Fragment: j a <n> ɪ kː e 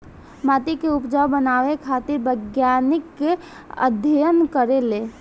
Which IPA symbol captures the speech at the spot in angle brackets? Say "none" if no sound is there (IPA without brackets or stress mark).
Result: n